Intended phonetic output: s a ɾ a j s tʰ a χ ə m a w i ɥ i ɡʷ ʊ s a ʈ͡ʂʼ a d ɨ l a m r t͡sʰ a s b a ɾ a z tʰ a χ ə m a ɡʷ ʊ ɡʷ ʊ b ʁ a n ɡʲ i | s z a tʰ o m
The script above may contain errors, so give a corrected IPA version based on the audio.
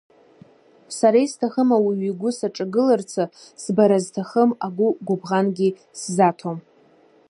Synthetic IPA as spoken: s a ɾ a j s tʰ a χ ə m a w i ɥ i ɡʷ ʊ s a ʈ͡ʂʼ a ɡ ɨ l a r t͡sʰ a s b a ɾ a z tʰ a χ ə m a ɡʷ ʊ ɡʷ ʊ b ʁ a n ɡʲ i | s z a tʰ o m